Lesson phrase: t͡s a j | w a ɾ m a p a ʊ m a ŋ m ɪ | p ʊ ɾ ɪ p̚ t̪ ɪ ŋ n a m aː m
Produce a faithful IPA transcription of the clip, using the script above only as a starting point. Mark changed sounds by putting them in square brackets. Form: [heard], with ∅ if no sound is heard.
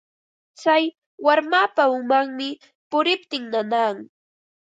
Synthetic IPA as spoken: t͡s a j | w a ɾ m a p a ʊ m a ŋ m ɪ | p ʊ ɾ ɪ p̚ t̪ ɪ ŋ n a [n] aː [ŋ]